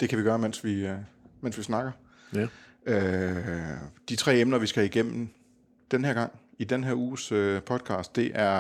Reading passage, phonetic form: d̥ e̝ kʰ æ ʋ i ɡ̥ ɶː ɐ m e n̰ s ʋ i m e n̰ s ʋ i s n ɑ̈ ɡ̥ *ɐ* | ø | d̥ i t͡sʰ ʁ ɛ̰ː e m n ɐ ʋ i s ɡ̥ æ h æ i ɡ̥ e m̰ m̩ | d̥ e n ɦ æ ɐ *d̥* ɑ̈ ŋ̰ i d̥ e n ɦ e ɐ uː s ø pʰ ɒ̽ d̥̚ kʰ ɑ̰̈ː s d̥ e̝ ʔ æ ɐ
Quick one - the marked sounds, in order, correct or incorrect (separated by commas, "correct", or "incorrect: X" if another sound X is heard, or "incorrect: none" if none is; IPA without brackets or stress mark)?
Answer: correct, incorrect: ɡ̥